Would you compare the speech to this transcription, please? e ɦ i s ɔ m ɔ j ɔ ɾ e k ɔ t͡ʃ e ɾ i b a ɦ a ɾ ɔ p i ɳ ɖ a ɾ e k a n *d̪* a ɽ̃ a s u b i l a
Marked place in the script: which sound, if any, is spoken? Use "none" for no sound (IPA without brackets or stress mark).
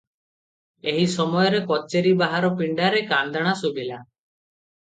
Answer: d̪